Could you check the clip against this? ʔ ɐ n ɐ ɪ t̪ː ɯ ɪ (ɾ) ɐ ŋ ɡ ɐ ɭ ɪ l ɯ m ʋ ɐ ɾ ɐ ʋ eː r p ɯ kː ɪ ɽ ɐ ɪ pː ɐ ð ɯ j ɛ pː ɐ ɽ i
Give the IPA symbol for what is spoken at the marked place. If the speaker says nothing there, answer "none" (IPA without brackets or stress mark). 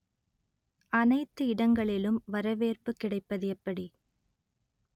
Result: ɽ